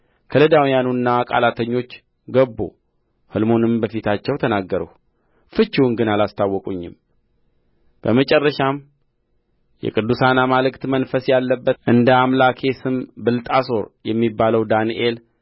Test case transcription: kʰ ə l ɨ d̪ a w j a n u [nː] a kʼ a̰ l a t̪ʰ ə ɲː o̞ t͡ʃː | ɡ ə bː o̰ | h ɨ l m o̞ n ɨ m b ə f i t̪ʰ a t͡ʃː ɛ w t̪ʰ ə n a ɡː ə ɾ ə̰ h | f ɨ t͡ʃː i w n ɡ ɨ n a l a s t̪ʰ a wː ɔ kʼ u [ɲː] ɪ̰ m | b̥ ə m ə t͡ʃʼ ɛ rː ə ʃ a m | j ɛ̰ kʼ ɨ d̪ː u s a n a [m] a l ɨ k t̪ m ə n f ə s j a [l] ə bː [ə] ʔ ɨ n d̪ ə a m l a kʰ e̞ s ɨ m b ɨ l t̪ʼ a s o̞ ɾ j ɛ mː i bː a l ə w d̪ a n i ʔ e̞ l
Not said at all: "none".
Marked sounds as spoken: nː, ɲː, m, lː, ə

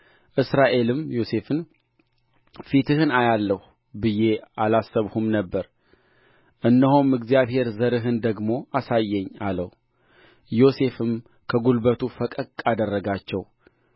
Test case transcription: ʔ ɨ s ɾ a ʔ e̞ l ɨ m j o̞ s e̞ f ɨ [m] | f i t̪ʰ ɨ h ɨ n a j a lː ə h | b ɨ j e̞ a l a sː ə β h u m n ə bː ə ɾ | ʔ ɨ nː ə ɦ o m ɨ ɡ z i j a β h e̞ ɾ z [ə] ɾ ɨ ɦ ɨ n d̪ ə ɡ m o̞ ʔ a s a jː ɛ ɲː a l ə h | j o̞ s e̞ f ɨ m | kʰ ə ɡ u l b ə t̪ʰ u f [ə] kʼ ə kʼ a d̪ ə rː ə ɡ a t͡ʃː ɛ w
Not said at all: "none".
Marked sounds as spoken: n, ə, ə

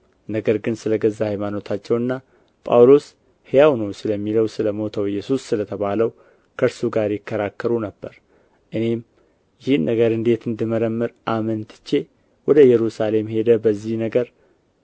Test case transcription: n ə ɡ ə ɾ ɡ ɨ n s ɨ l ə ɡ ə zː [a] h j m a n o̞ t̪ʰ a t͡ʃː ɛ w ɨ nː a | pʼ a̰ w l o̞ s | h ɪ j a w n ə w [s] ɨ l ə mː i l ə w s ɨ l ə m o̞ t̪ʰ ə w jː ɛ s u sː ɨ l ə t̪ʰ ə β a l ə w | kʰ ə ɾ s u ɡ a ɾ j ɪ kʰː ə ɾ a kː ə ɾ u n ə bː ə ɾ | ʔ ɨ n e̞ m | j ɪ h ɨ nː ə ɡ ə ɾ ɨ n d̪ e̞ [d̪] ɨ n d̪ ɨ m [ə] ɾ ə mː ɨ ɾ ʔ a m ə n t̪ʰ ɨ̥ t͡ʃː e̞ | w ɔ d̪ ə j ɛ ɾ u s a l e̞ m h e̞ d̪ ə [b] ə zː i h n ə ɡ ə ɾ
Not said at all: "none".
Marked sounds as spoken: a, s, t̪, ə, b

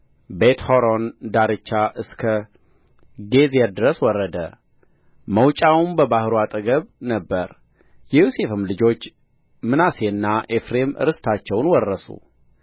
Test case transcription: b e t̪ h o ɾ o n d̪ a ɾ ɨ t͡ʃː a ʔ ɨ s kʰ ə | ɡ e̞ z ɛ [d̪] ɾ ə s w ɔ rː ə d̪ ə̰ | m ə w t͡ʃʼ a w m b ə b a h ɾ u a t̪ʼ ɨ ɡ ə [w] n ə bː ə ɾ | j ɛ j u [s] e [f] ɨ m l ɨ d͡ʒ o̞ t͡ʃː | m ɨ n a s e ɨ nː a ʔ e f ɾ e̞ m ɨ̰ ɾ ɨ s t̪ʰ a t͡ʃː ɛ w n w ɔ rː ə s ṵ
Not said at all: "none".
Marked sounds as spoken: d̪, β, s, f

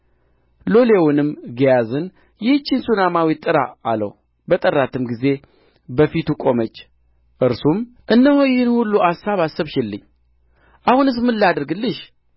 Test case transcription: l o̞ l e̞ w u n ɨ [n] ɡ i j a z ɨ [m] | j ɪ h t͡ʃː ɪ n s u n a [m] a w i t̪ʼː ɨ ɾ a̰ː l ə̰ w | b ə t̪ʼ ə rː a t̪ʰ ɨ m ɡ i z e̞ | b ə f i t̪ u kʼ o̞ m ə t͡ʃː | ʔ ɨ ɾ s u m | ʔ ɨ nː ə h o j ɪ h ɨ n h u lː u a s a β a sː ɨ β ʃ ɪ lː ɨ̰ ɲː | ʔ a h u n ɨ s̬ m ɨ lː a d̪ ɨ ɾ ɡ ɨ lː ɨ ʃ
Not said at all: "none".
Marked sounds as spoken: m, n, m

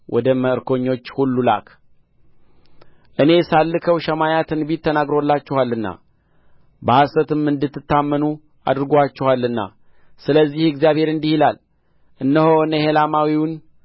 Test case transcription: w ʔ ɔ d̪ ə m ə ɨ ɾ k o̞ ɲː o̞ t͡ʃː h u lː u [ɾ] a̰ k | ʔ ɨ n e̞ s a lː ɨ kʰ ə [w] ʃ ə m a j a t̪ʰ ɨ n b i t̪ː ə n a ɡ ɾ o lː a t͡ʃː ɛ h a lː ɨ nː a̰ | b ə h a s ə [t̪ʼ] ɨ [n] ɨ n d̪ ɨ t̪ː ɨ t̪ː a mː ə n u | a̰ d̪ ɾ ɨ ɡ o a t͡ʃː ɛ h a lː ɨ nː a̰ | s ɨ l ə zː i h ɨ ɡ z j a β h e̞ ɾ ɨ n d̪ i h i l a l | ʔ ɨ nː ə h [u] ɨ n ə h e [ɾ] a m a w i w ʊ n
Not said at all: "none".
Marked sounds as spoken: l, w, t̪, m, o, l

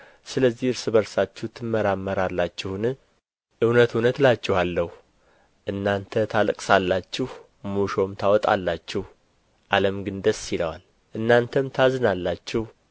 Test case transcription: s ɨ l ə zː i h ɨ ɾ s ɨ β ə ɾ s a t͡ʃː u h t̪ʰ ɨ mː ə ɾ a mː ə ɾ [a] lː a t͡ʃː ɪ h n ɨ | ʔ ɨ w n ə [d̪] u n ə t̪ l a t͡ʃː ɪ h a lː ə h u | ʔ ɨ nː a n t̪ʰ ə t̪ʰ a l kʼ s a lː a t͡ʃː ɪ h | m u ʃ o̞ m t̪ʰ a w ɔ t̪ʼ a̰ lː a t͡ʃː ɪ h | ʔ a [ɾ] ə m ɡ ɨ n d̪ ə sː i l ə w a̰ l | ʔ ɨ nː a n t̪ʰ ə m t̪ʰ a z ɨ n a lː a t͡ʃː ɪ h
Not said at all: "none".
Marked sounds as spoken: a, t̪, l

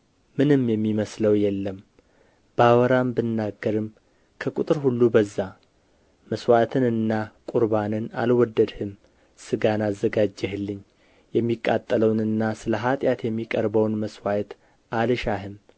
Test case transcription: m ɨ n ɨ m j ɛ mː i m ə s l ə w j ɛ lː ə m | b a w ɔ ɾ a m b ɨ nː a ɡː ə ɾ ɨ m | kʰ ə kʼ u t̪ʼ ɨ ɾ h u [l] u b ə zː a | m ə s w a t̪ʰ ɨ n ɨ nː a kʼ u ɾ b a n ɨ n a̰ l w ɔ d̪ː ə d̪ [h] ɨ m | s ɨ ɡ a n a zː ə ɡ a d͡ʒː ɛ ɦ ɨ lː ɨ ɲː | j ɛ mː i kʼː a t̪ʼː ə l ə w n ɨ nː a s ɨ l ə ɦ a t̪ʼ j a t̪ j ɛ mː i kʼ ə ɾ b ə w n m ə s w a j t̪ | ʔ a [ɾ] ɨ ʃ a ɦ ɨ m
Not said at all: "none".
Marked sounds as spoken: lː, h, l

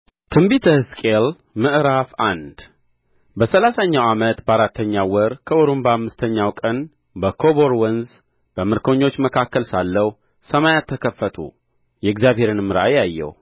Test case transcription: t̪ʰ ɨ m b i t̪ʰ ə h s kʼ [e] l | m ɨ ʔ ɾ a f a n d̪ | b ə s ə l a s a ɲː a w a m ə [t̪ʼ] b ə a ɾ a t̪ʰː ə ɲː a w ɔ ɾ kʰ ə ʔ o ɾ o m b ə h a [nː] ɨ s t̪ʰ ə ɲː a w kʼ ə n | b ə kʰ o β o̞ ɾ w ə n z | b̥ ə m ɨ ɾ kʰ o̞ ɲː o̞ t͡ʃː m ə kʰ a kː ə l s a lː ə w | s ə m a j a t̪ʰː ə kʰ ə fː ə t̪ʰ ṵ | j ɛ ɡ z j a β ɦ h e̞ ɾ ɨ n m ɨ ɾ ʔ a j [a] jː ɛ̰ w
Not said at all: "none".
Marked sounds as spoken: e, t̪, mː, a

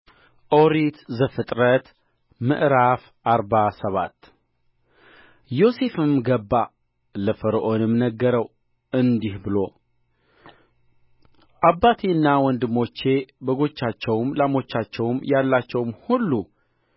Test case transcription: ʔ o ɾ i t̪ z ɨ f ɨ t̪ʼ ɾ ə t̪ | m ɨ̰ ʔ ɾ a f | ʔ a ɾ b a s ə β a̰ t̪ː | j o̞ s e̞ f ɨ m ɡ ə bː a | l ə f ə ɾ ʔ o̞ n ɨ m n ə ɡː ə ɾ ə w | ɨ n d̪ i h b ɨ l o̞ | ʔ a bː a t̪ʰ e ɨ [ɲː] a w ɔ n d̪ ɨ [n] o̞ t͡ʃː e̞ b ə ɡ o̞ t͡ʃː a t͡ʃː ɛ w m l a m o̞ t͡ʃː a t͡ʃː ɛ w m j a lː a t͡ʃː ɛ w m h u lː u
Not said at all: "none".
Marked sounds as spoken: nː, m

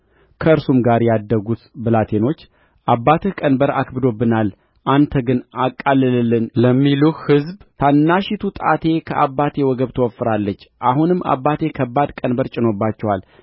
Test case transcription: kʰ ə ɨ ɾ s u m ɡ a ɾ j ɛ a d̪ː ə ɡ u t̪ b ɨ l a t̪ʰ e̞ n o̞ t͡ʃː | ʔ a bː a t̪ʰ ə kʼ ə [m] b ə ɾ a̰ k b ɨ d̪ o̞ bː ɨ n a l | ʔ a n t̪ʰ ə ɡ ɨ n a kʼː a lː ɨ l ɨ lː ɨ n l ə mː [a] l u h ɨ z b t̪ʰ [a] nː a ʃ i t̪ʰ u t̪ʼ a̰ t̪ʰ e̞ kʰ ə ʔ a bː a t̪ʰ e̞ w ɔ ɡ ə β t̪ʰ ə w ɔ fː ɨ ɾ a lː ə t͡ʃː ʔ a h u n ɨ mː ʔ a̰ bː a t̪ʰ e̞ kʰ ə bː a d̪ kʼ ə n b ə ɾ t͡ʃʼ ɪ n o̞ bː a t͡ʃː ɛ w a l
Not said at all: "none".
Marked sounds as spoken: n, i, a

